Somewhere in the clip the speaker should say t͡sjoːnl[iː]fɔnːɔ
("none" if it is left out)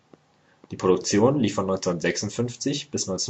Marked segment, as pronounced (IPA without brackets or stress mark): iː